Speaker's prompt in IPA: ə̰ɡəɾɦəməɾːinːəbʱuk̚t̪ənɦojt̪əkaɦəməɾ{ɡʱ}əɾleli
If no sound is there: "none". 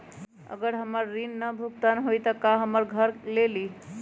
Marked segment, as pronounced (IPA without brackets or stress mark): ɡʱ